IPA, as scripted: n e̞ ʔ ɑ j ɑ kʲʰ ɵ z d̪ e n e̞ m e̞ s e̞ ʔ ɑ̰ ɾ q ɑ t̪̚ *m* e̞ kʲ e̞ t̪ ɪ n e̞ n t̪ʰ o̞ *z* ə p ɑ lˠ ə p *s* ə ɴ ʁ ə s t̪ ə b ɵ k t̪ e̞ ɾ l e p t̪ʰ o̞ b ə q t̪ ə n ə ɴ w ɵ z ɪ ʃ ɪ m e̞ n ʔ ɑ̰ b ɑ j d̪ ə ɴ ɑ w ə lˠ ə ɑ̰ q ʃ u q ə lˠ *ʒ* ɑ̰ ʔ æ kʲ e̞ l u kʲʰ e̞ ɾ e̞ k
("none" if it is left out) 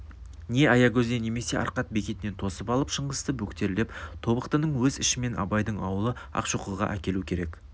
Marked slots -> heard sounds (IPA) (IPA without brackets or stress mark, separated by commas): b, s, ʃ, ʁ